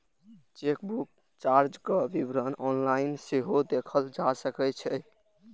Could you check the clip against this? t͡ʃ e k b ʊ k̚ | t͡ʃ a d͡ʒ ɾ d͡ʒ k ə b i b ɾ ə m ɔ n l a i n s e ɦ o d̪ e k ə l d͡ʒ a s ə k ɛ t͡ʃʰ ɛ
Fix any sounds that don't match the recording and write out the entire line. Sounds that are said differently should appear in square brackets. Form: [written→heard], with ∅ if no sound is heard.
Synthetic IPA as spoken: t͡ʃ e k b [ʊ→u] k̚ | t͡ʃ a [d͡ʒ→∅] ɾ d͡ʒ k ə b i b ɾ ə [m→n] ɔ n l a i n s e ɦ o d̪ e [k→kʰ] ə l d͡ʒ a s ə k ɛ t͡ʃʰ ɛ